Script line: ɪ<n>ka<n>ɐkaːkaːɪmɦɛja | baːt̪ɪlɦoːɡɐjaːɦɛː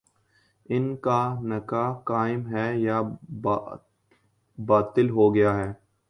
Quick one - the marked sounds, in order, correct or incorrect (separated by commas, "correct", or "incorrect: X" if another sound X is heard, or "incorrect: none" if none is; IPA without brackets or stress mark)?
correct, correct